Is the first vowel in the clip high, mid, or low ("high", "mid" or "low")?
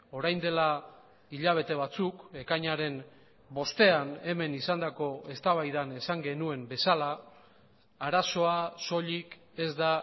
mid